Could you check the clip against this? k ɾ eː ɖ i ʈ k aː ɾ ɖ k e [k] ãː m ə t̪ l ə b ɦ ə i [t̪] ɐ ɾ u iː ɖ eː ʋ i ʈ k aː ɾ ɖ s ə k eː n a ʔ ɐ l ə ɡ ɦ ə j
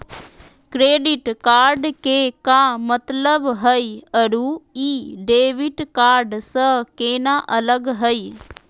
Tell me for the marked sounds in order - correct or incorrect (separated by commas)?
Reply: correct, incorrect